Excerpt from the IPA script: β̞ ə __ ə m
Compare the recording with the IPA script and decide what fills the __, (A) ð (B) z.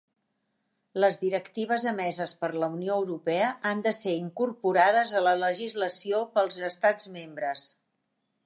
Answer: B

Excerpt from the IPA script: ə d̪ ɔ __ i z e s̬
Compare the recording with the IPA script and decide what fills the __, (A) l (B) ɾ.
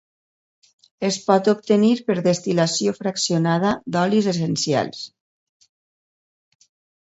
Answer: A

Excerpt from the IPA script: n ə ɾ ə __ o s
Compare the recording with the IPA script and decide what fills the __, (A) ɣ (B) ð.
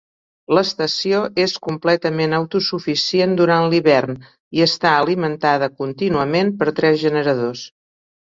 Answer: B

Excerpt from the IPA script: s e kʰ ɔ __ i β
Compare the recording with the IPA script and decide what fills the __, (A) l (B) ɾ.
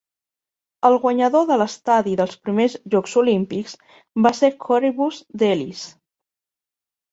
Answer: B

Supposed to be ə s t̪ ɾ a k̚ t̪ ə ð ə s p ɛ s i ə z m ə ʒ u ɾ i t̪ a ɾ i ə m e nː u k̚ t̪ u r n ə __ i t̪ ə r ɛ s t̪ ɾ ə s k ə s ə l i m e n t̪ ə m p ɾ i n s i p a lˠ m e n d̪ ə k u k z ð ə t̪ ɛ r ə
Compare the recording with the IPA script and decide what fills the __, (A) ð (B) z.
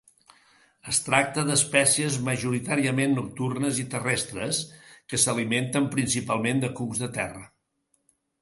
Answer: B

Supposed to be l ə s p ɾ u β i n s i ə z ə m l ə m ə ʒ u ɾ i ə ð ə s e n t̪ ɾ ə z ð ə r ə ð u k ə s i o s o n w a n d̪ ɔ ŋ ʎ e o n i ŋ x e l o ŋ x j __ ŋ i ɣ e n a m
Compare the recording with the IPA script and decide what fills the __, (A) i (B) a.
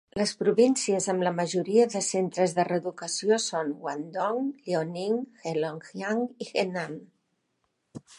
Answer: B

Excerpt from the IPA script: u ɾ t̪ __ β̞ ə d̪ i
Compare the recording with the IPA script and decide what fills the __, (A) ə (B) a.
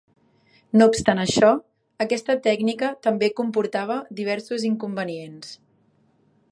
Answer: B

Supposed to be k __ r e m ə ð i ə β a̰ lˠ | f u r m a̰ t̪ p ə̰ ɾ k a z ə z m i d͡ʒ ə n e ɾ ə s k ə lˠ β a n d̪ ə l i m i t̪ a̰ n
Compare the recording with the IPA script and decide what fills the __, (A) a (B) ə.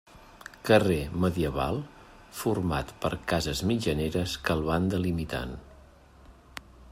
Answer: B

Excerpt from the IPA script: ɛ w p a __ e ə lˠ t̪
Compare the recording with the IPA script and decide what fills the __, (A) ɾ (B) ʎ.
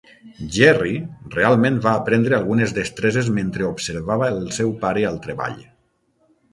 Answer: A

